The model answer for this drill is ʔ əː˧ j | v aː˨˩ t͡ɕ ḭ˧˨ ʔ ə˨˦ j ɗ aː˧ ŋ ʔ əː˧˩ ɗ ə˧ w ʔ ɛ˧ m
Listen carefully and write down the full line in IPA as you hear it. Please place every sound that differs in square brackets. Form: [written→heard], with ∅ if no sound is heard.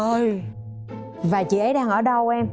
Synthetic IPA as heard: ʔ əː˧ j | v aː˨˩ t͡ɕ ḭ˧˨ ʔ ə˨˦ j ɗ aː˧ ŋ ʔ əː˧˩ ɗ ə˧ w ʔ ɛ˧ m

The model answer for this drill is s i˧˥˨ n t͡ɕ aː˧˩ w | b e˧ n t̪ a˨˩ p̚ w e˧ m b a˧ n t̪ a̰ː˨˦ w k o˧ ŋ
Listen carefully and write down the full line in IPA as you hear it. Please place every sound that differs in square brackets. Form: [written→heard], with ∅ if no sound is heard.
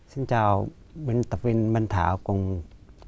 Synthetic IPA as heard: s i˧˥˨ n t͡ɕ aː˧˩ w | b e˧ n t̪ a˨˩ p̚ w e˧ [m→n] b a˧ n [t̪→t̪ʰ] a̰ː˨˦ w k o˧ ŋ

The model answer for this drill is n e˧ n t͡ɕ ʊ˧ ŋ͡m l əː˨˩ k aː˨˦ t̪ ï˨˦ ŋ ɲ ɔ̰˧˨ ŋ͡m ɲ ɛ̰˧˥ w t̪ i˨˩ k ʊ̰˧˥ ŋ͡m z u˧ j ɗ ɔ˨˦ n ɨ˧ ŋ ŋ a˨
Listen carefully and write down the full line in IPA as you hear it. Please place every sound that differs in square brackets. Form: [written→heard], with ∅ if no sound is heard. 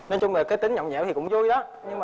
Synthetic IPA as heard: n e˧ n t͡ɕ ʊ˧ ŋ͡m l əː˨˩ k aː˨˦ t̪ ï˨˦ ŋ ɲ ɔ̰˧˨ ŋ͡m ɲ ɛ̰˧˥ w t̪ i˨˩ k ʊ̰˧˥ ŋ͡m z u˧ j ɗ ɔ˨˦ [n→ɲ] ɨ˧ ŋ [ŋ→m] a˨

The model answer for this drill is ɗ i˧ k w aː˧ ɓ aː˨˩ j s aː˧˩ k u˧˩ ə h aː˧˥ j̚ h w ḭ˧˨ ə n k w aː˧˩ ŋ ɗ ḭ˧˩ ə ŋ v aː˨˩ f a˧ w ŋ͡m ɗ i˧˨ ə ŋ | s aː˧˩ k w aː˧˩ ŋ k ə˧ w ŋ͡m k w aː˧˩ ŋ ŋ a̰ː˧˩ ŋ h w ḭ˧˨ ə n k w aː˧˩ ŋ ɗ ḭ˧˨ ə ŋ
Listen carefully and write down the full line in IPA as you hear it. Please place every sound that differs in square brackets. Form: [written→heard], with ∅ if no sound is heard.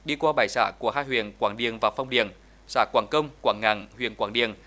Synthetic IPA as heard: ɗ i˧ k w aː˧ ɓ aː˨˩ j s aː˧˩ k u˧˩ ə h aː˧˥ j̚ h w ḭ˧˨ ə n k w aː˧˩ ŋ ɗ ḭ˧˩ ə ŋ v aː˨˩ f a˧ w ŋ͡m ɗ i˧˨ ə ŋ | s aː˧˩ k w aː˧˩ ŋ k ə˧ w ŋ͡m k w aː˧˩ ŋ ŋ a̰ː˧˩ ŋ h w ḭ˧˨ ə n k w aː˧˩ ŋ ɗ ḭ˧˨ ə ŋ

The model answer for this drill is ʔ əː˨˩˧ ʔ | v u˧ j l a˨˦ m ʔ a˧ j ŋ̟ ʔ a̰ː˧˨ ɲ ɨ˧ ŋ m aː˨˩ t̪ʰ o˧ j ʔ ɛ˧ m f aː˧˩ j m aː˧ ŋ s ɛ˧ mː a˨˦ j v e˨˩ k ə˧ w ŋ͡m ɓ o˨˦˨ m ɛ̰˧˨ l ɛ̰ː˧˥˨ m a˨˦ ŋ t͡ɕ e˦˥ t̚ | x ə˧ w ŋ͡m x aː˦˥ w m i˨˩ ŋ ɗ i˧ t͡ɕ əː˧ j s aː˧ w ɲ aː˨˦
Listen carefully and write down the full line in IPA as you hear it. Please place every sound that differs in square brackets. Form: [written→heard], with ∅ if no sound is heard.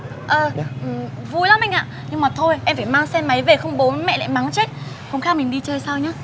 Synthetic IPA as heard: ʔ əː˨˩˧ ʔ | v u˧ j l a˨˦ m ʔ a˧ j ŋ̟ ʔ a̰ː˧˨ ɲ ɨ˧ ŋ m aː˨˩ t̪ʰ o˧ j ʔ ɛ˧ m f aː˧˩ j m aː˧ ŋ s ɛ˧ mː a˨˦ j v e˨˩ [k→x] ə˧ w ŋ͡m ɓ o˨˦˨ m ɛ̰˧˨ l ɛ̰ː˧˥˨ m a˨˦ ŋ t͡ɕ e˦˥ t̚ | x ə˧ w ŋ͡m x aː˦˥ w m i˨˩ ŋ ɗ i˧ t͡ɕ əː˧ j s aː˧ w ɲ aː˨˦

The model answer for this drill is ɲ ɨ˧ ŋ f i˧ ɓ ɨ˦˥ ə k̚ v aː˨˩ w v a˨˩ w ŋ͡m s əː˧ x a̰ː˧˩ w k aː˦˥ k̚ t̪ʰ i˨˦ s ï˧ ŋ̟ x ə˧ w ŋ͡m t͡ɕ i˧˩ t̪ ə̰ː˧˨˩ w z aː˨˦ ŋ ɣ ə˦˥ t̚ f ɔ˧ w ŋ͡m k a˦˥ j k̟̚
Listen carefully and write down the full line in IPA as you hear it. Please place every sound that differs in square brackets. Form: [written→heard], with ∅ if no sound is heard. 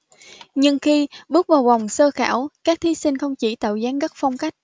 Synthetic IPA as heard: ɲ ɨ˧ ŋ [f→x] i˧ ɓ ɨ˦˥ ə k̚ v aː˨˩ w v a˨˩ w ŋ͡m s əː˧ x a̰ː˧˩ w k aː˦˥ k̚ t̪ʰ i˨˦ s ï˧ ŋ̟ x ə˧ w ŋ͡m t͡ɕ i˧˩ t̪ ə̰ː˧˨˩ w z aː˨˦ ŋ ɣ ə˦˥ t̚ f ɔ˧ w ŋ͡m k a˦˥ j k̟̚

